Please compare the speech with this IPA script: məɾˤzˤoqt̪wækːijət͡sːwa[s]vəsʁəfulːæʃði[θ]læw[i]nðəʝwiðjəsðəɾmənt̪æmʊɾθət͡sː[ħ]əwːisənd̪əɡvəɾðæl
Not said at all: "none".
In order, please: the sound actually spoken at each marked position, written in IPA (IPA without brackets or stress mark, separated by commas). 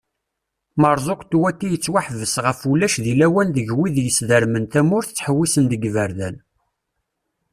ħ, none, æ, ħ